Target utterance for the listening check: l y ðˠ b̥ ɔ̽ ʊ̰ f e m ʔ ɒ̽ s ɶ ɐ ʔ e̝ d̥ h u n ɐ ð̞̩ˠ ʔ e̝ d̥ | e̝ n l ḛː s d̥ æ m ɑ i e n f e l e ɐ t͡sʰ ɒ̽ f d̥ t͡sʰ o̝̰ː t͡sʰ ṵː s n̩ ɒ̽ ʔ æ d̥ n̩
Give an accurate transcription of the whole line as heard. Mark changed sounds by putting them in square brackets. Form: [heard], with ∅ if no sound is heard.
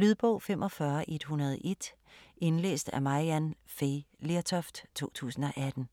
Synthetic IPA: l y ðˠ b̥ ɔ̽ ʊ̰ f e m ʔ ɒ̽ [f] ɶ ɐ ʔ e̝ d̥ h u n ɐ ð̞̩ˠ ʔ e̝ d̥ | e̝ n l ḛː s d̥ æ m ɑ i [æ] n f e l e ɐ t͡sʰ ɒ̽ f d̥ t͡sʰ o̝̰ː t͡sʰ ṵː s n̩ ɒ̽ ʔ æ d̥ n̩